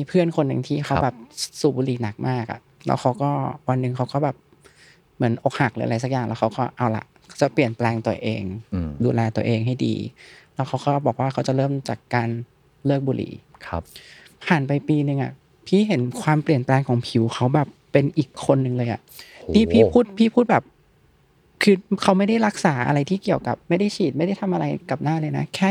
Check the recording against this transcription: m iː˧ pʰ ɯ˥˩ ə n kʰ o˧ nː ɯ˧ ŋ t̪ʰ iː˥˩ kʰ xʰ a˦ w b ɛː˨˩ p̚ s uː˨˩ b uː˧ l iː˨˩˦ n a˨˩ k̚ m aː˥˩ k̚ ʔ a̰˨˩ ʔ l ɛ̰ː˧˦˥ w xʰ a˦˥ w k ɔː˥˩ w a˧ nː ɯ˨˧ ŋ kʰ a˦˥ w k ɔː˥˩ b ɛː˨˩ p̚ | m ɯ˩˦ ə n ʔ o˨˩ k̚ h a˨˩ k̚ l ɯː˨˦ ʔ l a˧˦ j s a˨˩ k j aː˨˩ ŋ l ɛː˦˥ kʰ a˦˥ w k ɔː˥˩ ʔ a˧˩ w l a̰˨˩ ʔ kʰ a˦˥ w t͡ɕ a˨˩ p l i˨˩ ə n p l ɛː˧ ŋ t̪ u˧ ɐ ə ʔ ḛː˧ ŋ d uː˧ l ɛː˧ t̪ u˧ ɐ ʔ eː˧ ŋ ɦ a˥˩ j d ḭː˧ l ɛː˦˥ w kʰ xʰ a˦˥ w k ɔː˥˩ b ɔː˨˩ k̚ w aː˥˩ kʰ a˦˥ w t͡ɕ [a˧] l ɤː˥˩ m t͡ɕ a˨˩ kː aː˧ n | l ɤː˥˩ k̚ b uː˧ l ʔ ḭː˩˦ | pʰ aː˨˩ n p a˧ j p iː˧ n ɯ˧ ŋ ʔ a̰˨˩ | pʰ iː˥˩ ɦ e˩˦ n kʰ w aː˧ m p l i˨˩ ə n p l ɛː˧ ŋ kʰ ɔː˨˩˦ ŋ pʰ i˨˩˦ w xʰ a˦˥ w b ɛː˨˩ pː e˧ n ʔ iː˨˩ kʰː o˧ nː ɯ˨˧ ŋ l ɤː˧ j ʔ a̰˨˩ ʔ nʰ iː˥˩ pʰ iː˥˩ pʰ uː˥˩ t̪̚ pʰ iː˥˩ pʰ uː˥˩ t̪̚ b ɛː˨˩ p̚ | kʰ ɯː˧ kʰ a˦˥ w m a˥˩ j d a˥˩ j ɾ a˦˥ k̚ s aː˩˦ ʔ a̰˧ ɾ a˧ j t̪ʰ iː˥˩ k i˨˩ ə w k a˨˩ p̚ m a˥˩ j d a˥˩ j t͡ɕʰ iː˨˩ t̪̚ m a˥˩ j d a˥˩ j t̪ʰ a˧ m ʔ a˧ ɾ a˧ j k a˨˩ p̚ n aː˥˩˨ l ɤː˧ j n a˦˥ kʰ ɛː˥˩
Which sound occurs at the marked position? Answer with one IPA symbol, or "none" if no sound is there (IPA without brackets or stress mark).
a˨˩